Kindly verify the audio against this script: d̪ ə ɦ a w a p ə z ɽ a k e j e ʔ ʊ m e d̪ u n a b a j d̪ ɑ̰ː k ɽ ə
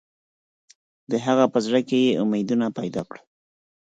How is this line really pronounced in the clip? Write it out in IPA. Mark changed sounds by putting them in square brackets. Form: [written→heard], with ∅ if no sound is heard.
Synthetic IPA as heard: d̪ ə ɦ a [w→ɣ] a p ə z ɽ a k e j e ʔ ʊ m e d̪ u n a [b→p] a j d̪ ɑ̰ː k ɽ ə